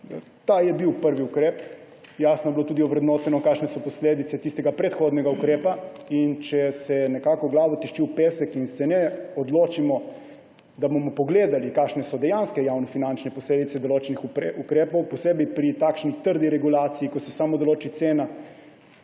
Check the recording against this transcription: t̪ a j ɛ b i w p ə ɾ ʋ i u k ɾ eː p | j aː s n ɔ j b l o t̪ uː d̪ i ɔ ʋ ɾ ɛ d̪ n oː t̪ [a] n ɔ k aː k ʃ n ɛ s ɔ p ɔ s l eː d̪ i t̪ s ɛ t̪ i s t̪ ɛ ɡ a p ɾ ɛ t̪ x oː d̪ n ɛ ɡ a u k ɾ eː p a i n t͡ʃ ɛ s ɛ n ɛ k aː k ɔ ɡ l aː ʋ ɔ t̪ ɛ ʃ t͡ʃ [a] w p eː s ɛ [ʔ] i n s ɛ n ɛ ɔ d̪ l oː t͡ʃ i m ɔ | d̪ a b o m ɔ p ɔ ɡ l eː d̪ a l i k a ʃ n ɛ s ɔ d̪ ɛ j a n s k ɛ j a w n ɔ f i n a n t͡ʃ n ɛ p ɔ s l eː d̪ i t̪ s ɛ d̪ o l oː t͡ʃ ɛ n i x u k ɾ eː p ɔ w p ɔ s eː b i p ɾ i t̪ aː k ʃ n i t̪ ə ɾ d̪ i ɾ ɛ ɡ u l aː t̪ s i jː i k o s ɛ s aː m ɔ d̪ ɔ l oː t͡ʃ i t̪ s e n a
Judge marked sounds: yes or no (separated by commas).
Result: no, no, no